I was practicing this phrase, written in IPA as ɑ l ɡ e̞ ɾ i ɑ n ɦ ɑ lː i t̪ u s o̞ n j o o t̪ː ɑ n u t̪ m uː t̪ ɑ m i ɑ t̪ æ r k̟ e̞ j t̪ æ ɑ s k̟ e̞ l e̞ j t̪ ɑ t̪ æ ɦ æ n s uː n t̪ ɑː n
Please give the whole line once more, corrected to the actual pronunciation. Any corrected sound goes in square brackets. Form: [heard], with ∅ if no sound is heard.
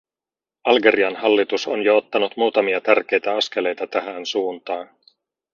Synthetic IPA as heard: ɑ l ɡ e̞ ɾ i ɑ n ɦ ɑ lː i t̪ u s o̞ n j o o t̪ː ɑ n u t̪ m uː t̪ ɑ m i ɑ t̪ æ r k̟ e̞ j t̪ æ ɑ s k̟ e̞ l e̞ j t̪ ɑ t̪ æ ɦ æ n s uː n t̪ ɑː n